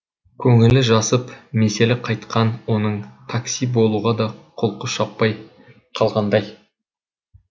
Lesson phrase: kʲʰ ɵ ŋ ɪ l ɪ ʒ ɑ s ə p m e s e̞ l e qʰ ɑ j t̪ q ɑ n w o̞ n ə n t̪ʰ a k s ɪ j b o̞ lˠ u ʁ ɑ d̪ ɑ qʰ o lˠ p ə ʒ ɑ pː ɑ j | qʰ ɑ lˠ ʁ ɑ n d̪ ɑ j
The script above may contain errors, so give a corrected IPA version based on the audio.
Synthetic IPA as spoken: kʲʰ ɵ ŋ ɪ l ɪ ʒ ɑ s ə p m e s e̞ l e qʰ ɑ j t̪ q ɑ n w o̞ n ə ɴ t̪ʰ a k s i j b o̞ lˠ u ʁ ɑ d̪ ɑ qʰ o lˠ q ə ʃ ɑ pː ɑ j | qʰ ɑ lˠ ʁ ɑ n d̪ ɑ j